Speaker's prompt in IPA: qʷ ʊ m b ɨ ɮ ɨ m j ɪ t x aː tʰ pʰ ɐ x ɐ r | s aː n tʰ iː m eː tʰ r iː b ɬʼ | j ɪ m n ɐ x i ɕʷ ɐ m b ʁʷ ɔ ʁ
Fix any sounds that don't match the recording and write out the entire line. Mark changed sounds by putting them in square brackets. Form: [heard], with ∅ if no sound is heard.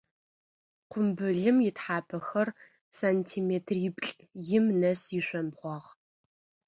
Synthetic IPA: qʷ ʊ m b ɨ ɮ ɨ m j ɪ t [ħ] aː [∅] pʰ ɐ x ɐ r | s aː n tʰ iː m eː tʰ r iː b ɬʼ | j ɪ m n ɐ [s] i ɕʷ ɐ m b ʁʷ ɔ ʁ

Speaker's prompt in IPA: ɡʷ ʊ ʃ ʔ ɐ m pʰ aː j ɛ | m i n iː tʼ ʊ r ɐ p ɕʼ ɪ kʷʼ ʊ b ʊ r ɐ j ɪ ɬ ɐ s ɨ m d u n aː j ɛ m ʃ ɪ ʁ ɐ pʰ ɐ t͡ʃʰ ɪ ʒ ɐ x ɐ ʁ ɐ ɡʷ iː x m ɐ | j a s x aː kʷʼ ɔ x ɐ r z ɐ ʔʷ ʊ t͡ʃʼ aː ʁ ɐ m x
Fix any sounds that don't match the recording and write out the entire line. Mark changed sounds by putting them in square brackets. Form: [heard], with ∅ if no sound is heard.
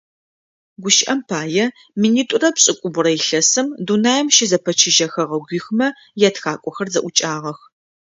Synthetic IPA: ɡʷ ʊ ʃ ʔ ɐ m pʰ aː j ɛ | m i n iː tʼ ʊ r ɐ p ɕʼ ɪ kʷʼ ʊ b ʊ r ɐ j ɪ ɬ ɐ s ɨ m d u n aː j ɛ m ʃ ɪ [z] ɐ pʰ ɐ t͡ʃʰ ɪ ʒ ɐ x ɐ ʁ ɐ ɡʷ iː x m ɐ | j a [t] x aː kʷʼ ɔ x ɐ r z ɐ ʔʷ ʊ t͡ʃʼ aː ʁ ɐ [∅] x

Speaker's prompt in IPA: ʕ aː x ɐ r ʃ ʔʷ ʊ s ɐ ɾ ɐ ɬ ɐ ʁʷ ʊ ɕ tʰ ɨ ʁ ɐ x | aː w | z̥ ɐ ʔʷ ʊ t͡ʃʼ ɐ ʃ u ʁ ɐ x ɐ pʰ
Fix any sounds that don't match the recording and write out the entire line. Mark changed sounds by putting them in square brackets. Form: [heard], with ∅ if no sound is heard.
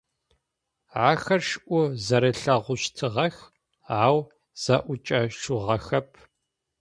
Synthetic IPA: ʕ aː x ɐ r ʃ ʔʷ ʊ [z] ɐ ɾ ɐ ɬ ɐ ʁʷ ʊ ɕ tʰ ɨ ʁ ɐ x | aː w | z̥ ɐ ʔʷ ʊ t͡ʃʼ ɐ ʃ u ʁ ɐ x ɐ pʰ

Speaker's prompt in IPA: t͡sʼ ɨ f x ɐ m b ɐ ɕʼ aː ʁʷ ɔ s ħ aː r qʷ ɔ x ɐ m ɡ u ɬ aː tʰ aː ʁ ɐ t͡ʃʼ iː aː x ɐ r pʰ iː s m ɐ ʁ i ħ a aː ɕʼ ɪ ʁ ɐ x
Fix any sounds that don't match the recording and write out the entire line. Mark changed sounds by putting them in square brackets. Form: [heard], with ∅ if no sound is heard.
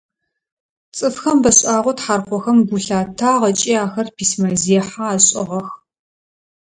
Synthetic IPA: t͡sʼ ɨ f x ɐ m b ɐ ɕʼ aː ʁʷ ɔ [t] ħ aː r qʷ ɔ x ɐ m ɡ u ɬ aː tʰ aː ʁ ɐ t͡ʃʼ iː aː x ɐ r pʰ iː s m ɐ [z] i ħ a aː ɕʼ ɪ ʁ ɐ x

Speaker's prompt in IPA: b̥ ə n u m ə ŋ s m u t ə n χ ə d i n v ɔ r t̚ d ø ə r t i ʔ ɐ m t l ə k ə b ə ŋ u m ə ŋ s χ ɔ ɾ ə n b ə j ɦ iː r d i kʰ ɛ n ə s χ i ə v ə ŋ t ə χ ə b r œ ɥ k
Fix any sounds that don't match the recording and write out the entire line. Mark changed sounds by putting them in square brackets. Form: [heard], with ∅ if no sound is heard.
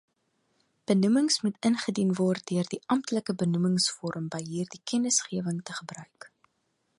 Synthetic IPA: b̥ ə n u m ə ŋ s m u t ə n χ ə d i n v ɔ r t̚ d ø ə r [d] i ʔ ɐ m t l ə k ə b ə [n] u m ə ŋ s [f] ɔ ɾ ə [m] b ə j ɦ iː r d i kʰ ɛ n ə s χ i ə v ə ŋ t ə χ ə b r œ ɥ k

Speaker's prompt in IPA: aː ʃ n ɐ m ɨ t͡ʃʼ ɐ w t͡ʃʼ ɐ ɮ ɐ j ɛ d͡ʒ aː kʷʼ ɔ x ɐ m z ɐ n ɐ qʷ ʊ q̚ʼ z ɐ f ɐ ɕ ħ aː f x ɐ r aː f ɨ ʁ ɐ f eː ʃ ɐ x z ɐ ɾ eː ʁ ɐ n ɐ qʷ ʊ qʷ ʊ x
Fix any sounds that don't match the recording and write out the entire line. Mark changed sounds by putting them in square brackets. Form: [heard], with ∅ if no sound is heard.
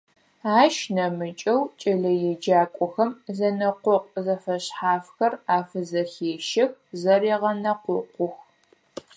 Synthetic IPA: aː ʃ n ɐ m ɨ t͡ʃʼ ɐ w t͡ʃʼ ɐ ɮ ɐ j ɛ d͡ʒ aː kʷʼ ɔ x ɐ m z ɐ n ɐ qʷ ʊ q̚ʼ z ɐ f ɐ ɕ ħ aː f x ɐ r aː f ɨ [z] ɐ [x] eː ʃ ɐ x z ɐ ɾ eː ʁ ɐ n ɐ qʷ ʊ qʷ ʊ x

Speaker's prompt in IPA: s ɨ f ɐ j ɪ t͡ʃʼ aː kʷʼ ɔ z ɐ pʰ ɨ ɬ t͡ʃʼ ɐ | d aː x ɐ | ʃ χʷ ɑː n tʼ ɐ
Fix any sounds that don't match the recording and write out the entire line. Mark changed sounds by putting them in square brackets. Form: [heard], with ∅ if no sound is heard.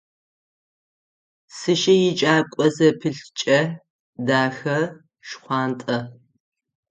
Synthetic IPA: s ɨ [ʃ] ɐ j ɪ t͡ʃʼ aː kʷʼ ɔ z ɐ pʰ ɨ ɬ t͡ʃʼ ɐ | d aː x ɐ | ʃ χʷ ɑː n tʼ ɐ

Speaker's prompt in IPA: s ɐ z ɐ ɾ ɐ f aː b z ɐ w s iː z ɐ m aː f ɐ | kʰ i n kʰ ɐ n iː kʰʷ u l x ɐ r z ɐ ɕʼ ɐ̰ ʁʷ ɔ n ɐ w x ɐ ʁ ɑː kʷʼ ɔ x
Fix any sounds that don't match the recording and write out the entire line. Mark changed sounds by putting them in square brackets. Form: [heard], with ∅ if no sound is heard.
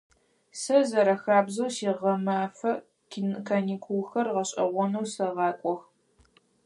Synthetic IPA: s ɐ z ɐ ɾ ɐ [x] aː b z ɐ w s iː [ʁ] ɐ m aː f ɐ | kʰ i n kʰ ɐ n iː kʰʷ u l x ɐ r [ʁ] ɐ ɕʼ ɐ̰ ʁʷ ɔ n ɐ w [s] ɐ ʁ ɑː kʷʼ ɔ x

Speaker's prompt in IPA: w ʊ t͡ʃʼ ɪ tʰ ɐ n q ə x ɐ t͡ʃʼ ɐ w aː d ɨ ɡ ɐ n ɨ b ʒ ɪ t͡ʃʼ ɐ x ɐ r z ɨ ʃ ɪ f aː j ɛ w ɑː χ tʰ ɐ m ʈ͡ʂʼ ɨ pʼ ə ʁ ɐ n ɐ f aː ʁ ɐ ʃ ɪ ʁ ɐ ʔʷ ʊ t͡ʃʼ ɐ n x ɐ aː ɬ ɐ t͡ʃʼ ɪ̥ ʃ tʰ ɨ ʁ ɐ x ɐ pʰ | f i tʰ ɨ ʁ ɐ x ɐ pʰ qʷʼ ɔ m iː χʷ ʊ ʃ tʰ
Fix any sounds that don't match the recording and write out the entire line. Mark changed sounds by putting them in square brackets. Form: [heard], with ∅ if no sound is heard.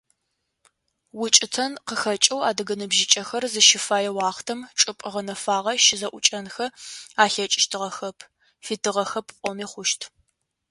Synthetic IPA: w ʊ t͡ʃʼ ɪ tʰ ɐ n q ə x ɐ t͡ʃʼ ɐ w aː d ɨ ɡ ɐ n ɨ b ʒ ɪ t͡ʃʼ ɐ x ɐ r z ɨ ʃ ɪ f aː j ɛ w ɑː χ tʰ ɐ m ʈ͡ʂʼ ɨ pʼ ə ʁ ɐ n ɐ f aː ʁ ɐ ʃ ɪ [z] ɐ ʔʷ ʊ t͡ʃʼ ɐ n x ɐ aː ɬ ɐ t͡ʃʼ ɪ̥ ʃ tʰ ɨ ʁ ɐ x ɐ pʰ | f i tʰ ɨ ʁ ɐ x ɐ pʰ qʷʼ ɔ m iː χʷ ʊ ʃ tʰ

